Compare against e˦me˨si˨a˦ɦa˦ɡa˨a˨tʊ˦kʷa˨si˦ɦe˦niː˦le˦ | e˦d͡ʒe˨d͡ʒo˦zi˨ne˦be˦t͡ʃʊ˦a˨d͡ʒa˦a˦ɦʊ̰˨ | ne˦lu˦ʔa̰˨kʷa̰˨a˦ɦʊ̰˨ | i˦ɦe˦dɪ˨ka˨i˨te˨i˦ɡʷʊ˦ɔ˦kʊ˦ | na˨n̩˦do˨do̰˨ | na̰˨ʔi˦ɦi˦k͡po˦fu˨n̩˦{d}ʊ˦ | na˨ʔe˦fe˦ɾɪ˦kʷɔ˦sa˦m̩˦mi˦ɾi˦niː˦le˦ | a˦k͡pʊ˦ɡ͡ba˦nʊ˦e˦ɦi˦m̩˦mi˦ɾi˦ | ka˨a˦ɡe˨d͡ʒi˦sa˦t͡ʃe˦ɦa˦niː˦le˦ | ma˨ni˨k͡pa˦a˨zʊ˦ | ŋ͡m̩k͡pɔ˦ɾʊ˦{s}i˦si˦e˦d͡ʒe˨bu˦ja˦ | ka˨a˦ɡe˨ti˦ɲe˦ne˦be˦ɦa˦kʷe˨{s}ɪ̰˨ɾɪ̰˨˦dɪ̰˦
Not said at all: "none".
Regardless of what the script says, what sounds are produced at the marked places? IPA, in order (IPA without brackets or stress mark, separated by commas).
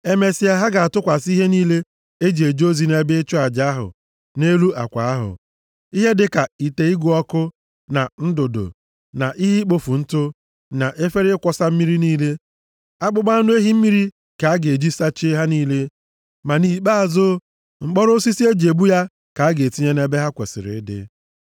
t, s, s